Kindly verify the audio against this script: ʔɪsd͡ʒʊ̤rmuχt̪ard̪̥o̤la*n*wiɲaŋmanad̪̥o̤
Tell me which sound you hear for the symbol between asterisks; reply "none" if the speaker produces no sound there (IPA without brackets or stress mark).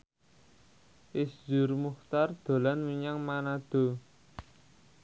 n